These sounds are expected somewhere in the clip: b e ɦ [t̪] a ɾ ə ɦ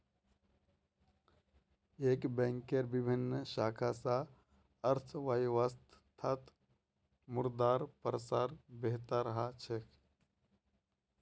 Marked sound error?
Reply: no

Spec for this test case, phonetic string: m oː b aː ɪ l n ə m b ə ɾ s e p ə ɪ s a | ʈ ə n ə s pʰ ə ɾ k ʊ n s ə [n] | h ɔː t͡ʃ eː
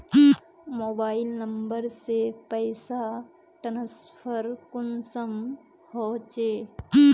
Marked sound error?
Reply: yes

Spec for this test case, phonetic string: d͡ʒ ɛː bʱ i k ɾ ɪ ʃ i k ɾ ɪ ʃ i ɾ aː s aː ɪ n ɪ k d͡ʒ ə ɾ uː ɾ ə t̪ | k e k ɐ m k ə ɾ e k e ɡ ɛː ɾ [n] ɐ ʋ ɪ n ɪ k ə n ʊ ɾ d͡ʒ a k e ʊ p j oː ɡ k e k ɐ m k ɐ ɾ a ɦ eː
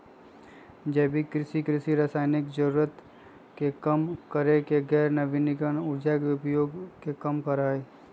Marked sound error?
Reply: no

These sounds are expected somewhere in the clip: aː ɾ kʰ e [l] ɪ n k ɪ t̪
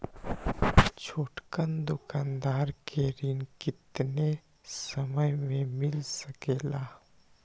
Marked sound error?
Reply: yes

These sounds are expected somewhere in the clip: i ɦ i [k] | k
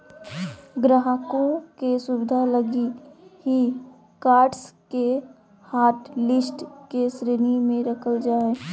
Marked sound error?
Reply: yes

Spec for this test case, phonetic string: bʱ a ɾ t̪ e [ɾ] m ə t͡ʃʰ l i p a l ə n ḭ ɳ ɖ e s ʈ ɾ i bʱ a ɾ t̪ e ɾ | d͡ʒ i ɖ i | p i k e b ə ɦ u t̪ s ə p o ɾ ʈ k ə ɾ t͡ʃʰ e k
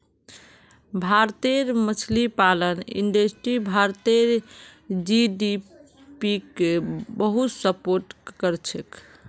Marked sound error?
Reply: no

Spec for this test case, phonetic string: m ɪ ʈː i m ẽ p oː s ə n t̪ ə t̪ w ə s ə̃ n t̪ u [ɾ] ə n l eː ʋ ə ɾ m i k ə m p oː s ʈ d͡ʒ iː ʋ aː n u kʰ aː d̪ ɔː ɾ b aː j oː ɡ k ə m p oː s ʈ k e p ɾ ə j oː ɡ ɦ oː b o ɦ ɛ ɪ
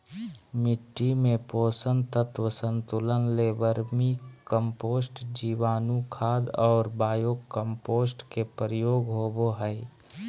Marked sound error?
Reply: yes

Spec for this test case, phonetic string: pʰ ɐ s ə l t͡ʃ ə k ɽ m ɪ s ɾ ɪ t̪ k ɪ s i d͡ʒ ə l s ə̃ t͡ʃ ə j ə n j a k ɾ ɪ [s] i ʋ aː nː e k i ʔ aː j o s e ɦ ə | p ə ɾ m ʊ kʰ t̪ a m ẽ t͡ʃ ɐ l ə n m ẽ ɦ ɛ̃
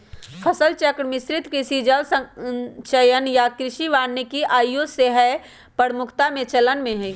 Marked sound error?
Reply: yes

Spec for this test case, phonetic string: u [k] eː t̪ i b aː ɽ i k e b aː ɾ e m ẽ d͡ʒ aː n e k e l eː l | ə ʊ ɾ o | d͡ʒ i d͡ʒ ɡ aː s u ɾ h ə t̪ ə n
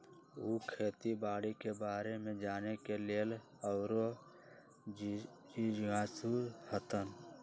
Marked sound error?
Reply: yes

